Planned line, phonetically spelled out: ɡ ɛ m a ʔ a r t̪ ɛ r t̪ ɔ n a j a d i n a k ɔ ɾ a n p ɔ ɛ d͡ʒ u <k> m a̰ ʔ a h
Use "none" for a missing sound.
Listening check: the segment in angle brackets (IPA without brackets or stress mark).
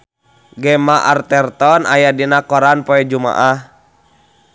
none